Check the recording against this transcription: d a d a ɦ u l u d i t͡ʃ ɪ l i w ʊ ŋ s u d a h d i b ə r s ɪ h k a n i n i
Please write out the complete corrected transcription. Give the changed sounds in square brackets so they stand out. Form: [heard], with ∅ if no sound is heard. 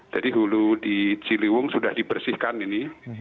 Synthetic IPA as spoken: [d͡ʒ] a d [i] ɦ u l u d i t͡ʃ [i] l i w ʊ ŋ s u d a h d i b ə r s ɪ h k a n i n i